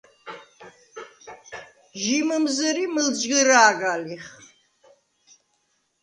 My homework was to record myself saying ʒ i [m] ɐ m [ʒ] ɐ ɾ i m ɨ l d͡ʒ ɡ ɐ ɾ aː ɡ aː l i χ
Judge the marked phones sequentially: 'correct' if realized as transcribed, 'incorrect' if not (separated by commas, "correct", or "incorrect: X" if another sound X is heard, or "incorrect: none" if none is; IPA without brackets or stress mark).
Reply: correct, incorrect: z